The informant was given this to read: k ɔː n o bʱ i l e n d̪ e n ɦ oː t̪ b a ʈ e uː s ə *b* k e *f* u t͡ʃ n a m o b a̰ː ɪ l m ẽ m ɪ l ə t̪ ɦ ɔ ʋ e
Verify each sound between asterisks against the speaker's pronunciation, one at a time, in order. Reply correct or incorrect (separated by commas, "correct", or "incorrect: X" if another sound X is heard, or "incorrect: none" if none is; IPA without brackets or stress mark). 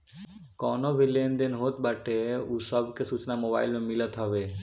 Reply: correct, incorrect: s